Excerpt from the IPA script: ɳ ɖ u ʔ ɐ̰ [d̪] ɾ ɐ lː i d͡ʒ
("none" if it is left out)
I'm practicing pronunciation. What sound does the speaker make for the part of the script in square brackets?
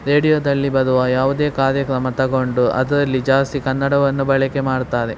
d̪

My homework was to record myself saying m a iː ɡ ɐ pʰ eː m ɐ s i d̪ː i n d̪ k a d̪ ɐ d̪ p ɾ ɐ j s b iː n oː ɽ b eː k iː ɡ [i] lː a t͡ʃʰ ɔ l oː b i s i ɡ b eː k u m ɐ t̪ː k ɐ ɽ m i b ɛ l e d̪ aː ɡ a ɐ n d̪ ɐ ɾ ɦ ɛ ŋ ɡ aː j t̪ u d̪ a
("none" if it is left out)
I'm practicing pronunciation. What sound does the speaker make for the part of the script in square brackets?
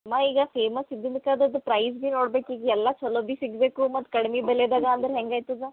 ɛ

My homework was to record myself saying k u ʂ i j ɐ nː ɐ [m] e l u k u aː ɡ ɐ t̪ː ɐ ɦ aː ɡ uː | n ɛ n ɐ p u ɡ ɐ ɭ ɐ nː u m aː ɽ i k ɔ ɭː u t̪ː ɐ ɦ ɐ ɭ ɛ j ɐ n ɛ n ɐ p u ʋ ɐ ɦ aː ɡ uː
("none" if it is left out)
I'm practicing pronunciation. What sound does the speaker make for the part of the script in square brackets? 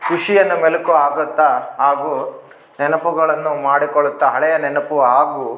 m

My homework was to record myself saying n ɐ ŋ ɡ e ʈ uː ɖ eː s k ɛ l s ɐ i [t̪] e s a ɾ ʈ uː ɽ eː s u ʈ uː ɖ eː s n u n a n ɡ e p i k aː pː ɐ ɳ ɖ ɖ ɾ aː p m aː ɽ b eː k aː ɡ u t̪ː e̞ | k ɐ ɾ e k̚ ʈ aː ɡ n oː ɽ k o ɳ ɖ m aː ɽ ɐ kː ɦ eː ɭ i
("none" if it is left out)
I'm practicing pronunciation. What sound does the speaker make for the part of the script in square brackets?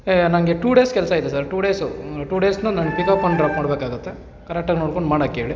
d̪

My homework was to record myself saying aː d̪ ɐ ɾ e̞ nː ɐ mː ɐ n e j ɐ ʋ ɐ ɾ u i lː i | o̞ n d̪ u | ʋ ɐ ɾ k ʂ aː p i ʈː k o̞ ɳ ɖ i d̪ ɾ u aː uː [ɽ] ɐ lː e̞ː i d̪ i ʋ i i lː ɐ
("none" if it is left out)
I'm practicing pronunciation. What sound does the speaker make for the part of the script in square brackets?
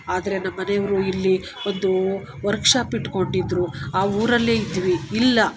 ɾ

